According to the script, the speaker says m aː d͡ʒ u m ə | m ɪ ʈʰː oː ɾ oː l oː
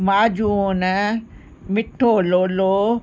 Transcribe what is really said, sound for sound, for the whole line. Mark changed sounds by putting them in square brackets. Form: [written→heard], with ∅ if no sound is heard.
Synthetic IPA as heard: m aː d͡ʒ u [m→n] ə | m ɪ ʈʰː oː [ɾ→l] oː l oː